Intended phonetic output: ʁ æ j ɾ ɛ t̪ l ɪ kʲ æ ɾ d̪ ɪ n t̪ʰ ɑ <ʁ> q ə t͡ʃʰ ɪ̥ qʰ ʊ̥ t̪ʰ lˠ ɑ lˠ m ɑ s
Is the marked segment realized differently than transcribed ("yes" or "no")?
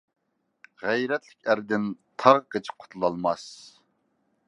no